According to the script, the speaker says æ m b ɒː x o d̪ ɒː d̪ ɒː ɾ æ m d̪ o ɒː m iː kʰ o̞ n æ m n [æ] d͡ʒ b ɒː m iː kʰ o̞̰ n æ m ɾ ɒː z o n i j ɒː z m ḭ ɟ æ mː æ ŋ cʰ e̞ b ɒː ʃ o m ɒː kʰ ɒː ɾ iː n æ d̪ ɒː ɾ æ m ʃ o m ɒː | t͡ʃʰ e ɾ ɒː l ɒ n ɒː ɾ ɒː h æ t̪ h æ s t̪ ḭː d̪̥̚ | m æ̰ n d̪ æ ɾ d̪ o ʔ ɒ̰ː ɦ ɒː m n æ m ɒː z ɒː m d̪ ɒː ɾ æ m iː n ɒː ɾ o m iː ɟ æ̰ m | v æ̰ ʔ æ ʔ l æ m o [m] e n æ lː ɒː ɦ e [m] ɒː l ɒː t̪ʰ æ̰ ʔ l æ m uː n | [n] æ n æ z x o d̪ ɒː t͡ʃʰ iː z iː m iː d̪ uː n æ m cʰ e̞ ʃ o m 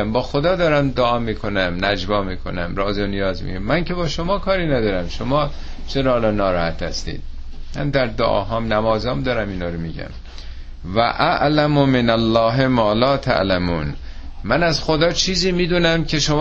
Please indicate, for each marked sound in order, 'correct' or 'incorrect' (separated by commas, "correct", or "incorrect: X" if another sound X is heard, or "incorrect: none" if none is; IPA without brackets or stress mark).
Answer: correct, correct, correct, incorrect: m